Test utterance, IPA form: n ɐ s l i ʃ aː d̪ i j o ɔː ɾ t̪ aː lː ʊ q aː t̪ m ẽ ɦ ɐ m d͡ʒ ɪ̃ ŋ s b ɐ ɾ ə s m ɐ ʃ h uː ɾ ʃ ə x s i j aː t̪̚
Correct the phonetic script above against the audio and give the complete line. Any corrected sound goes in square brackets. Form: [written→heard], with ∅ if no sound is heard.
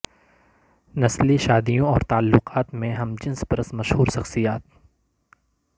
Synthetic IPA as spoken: n ɐ s l i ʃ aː d̪ i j [o→õ] ɔː ɾ t̪ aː lː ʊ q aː t̪ m ẽ ɦ ɐ m d͡ʒ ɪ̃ [ŋ→n] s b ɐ ɾ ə s m ɐ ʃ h uː ɾ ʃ [ə→ɐ] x s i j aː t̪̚